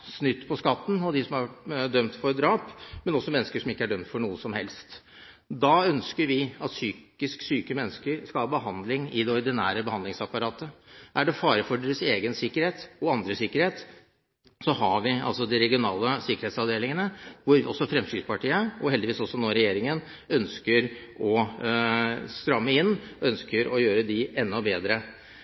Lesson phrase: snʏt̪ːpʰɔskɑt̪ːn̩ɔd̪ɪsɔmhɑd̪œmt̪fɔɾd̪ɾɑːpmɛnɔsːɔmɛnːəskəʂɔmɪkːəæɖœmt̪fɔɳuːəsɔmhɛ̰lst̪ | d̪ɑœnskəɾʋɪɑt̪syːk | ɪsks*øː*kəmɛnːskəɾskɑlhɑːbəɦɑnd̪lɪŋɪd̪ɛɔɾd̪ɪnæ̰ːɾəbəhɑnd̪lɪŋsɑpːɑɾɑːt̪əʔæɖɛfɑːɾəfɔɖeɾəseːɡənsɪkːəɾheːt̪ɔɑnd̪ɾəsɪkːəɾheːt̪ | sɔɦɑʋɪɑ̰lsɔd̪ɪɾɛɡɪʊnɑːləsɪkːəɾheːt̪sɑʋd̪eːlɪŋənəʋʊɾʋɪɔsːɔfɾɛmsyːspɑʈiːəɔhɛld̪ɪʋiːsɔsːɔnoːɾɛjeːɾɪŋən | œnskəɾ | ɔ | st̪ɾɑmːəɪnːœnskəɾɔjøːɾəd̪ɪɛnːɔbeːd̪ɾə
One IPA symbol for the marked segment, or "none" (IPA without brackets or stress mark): yː